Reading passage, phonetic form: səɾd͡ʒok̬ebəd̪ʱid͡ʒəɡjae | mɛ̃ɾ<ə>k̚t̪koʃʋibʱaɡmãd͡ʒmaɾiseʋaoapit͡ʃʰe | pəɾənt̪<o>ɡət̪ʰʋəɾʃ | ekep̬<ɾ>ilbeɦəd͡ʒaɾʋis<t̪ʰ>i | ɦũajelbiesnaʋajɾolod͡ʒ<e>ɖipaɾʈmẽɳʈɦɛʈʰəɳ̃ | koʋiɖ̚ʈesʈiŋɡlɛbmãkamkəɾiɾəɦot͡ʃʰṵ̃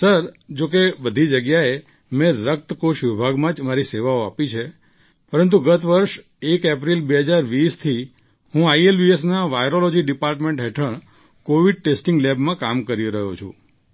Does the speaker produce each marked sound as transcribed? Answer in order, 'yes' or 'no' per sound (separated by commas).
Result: yes, no, yes, yes, no